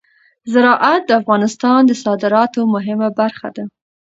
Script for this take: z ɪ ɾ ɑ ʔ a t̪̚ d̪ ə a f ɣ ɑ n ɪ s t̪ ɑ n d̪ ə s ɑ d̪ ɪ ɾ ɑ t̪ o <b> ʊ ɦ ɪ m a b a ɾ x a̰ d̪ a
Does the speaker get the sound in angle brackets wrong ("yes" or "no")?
yes